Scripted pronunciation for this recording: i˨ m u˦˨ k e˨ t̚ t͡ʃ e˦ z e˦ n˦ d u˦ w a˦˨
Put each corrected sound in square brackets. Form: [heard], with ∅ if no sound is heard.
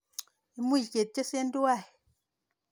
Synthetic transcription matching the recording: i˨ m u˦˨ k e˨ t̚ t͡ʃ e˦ [s] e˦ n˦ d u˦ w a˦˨